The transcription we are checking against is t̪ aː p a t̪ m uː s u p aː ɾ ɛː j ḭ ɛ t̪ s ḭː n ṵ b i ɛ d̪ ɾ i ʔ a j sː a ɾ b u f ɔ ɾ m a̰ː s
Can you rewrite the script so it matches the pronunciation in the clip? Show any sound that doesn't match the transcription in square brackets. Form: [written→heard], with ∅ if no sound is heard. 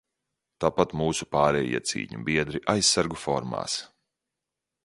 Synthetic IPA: t̪ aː p a t̪ m uː s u p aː ɾ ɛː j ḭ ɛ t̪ s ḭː [n→ɲ] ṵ b i ɛ d̪ ɾ i ʔ a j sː a ɾ [b→ɡ] u f ɔ ɾ m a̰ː s